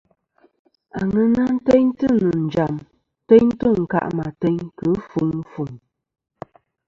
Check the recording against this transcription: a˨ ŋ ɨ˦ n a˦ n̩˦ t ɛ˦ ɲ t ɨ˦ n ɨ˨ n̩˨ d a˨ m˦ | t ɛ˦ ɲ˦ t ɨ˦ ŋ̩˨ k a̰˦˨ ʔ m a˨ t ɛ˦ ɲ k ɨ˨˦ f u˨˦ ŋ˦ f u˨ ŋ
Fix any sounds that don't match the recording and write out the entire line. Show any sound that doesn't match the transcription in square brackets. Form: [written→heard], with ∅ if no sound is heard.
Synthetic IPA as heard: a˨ ŋ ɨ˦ n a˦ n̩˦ t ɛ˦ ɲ t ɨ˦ n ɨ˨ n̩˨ [d→d͡ʒ] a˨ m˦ | t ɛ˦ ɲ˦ t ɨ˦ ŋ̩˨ k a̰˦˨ ʔ m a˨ t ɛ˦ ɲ k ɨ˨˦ f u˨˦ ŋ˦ f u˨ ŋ